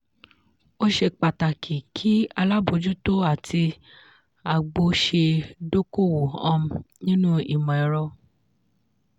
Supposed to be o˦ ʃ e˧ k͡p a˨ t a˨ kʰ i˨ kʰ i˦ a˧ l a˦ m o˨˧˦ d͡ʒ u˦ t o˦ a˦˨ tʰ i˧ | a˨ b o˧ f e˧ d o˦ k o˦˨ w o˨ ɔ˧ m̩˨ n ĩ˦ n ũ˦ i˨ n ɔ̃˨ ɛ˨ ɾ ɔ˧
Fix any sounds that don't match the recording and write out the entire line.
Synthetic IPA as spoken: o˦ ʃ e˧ k͡p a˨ t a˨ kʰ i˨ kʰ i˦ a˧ l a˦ b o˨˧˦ d͡ʒ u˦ t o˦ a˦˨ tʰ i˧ | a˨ ɡ͡b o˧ ʃ e˧ d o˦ k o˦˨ w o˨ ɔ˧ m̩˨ n ĩ˦ n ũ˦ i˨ m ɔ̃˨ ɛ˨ ɾ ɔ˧